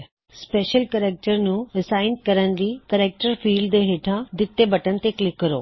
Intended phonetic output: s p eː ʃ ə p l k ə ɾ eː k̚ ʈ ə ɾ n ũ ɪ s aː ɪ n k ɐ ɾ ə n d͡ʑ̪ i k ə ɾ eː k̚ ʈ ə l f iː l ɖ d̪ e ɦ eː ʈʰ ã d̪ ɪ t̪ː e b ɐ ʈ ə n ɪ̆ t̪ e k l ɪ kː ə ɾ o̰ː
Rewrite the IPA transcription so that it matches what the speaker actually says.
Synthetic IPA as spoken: s p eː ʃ ə l k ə ɾ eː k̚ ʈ ə ɾ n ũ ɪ s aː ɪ n k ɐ ɾ ə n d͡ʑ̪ i k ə ɾ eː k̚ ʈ ə ɾ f iː l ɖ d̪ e ɦ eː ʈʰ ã d̪ ɪ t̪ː e b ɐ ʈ ə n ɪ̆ t̪ e k l ɪ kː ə ɾ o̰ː